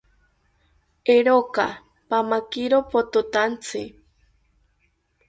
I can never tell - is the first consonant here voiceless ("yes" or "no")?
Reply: no